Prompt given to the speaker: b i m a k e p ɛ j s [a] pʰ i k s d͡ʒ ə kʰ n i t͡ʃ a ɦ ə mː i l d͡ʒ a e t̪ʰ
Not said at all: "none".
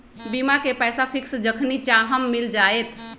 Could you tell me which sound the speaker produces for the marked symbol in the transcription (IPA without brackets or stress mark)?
a